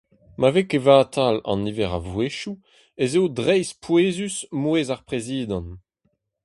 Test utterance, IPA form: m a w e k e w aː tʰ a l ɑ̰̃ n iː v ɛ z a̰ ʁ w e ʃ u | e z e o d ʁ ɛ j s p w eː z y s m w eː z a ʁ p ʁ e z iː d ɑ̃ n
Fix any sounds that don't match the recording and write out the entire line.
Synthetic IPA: m a v e k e v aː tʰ a l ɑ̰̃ n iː v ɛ ʁ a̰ v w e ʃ u | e z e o d ʁ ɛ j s p w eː z y s m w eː z a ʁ p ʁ e z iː d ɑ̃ n